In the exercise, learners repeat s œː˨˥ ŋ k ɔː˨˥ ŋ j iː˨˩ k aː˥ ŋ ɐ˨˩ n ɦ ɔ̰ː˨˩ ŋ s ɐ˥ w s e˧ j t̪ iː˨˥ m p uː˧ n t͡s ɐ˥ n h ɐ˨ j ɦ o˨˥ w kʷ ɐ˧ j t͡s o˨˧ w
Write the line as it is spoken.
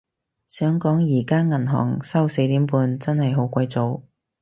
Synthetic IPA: s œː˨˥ ŋ k ɔː˨˥ ŋ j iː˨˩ k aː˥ ŋ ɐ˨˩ n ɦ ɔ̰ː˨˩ ŋ s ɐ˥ w s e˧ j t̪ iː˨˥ m p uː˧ n t͡s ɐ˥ n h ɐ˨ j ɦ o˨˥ w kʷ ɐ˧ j t͡s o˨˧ w